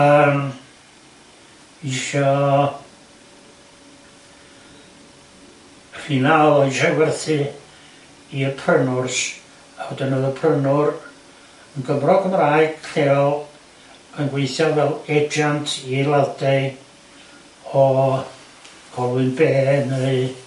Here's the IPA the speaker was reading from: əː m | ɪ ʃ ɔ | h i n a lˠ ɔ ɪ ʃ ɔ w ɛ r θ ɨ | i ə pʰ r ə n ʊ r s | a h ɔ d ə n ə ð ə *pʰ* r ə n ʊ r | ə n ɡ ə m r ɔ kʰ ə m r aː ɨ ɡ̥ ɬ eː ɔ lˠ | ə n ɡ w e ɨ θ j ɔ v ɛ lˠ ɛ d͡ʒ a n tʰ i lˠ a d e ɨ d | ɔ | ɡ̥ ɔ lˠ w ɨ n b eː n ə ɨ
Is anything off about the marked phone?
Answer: no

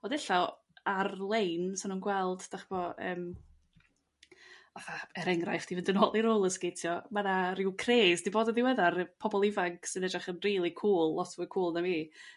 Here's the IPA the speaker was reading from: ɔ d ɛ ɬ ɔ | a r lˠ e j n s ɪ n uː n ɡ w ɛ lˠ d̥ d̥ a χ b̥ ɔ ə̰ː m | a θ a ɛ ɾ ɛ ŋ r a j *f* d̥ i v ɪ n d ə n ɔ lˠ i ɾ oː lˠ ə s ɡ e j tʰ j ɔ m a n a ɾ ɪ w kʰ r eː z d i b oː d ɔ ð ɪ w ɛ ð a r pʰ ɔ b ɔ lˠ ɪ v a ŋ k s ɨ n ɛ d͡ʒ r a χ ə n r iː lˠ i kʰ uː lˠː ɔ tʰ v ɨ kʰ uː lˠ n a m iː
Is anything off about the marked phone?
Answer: no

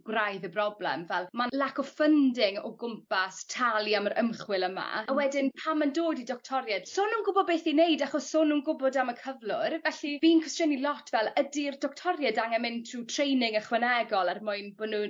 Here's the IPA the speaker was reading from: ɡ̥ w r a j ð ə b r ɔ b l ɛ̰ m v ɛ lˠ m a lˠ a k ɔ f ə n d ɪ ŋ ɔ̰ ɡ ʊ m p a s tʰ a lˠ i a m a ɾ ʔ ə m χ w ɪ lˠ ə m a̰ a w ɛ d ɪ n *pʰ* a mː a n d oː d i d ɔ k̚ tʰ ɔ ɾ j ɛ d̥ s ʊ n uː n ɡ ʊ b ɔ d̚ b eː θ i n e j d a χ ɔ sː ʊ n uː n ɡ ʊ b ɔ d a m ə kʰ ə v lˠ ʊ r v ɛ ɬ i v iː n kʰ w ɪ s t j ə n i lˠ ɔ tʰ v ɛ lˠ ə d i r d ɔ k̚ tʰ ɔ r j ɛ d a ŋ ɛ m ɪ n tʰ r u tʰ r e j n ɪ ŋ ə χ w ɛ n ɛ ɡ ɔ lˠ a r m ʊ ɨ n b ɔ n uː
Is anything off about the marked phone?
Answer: no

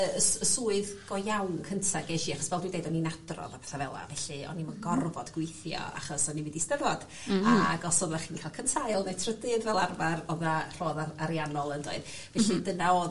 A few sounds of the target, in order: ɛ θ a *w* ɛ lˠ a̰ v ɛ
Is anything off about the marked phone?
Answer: yes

